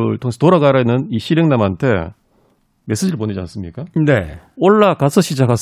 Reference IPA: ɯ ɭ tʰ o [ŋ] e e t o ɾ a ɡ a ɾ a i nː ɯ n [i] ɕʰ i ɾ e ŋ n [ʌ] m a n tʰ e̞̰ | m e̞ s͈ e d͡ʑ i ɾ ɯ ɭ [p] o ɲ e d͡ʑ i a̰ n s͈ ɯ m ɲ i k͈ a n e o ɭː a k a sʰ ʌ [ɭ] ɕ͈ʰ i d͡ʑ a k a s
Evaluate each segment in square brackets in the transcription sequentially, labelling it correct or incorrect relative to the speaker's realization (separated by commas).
correct, correct, incorrect, correct, incorrect